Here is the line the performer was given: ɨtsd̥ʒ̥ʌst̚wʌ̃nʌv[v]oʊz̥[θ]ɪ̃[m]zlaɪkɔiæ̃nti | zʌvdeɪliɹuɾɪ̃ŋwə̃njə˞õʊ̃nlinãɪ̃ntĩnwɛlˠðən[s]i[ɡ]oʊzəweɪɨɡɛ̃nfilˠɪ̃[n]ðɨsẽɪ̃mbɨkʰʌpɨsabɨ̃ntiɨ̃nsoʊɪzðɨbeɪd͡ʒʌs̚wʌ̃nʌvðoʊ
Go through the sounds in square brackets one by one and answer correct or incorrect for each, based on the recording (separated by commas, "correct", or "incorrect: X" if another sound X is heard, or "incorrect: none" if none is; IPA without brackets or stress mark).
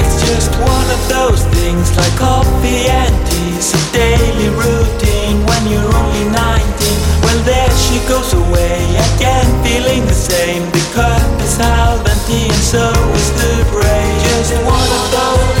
incorrect: ð, correct, incorrect: ŋ, incorrect: ʃ, correct, incorrect: ŋ